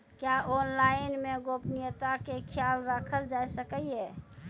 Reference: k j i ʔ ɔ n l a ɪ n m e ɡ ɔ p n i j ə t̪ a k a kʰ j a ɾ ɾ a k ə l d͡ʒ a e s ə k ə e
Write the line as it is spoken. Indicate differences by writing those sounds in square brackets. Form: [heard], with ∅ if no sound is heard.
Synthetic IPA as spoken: k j [a] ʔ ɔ n l a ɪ n m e ɡ [o] p n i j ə t̪ a k [e] kʰ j a [l] ɾ a [kʰ] ə l d͡ʒ a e s ə k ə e